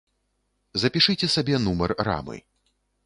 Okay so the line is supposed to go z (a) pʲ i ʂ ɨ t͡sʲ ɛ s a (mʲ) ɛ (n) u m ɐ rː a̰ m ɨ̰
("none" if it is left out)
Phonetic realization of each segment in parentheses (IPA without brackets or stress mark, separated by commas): ɐ, bʲ, n